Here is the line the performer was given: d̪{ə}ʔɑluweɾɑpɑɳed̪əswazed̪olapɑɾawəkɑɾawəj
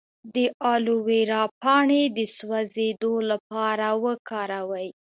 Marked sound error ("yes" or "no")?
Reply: no